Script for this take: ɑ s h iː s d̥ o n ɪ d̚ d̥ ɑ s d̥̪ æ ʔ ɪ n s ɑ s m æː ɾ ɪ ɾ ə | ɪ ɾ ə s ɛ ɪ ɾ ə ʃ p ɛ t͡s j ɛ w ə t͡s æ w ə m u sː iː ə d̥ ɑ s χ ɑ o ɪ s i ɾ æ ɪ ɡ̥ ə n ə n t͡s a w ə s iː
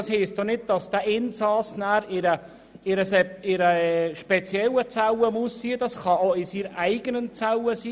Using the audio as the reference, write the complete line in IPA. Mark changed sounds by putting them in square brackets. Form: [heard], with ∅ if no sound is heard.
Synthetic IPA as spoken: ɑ s h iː s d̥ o n ɪ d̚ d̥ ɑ s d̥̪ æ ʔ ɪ n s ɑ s [n] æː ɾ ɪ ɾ ə | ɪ ɾ ə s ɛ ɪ ɾ ə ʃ p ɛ t͡s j ɛ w ə t͡s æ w ə m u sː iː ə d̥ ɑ s χ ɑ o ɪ s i ɾ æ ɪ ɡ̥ ə n ə n t͡s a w ə s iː